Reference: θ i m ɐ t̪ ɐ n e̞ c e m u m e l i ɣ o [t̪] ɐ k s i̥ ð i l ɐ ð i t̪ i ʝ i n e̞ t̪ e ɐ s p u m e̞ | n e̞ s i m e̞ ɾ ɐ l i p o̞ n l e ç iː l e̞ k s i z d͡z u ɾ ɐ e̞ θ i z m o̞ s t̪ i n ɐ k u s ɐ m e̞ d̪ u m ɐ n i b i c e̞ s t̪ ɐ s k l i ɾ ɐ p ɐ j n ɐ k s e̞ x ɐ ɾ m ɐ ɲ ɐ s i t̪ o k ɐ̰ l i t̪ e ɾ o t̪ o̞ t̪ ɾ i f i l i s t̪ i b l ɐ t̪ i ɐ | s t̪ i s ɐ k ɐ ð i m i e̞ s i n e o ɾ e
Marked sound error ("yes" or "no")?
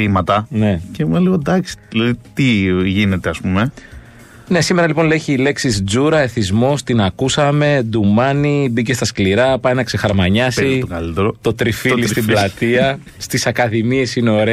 yes